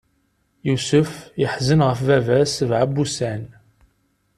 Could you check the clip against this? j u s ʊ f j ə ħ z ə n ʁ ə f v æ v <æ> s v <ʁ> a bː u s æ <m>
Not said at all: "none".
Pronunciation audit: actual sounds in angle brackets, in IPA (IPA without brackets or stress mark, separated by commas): æ, ʕ, n